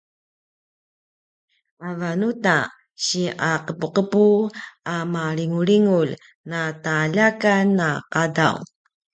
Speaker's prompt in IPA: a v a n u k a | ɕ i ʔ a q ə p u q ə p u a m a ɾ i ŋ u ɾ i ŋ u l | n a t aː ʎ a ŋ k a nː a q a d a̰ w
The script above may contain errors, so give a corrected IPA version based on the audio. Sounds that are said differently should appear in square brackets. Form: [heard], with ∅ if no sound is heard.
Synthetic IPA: a v a n u [t] a | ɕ i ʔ a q ə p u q ə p u a m a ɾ i ŋ u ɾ i ŋ u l | n a t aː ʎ a [∅] k a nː a q a d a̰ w